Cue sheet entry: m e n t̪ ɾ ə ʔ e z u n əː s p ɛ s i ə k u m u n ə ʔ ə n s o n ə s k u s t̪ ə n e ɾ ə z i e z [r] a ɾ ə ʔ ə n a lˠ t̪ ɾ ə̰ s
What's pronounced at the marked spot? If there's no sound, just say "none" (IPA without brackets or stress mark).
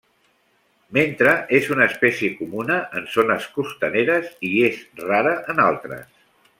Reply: r